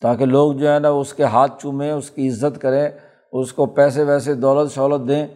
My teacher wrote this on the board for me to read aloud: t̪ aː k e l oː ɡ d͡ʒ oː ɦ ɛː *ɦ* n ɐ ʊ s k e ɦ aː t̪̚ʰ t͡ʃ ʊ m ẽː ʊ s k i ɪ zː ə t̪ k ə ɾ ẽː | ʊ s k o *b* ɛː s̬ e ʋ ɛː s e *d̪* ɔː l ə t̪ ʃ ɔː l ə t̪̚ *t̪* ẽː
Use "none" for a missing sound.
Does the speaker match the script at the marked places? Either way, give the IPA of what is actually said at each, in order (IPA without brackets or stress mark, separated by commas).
none, p, d̪, d̪